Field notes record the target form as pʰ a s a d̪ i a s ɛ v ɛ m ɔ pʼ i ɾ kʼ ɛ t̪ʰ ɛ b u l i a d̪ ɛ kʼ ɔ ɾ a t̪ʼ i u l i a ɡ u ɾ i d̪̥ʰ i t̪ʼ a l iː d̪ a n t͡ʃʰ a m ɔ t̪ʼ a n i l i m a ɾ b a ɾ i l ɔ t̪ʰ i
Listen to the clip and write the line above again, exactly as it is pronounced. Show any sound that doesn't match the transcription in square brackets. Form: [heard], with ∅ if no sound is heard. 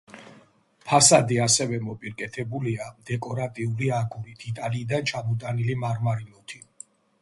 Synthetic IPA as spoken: pʰ a s a d̪ i a s ɛ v ɛ m ɔ pʼ i ɾ kʼ ɛ t̪ʰ ɛ b u l i a d̪ ɛ kʼ ɔ ɾ a t̪ʼ i u l i a ɡ u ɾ i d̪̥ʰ i t̪ʼ a l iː d̪ a n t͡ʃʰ a m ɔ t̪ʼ a n i l i m a ɾ [m] a ɾ i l ɔ t̪ʰ i